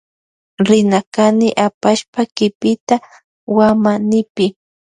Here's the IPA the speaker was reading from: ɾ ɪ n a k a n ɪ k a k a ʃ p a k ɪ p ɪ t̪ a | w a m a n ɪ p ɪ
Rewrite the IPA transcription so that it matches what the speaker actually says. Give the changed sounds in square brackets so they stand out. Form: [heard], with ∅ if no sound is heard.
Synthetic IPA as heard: ɾ ɪ n a k a n ɪ [ʔ] a [p] a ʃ p a k ɪ p ɪ t̪ a | w a m a n ɪ p ɪ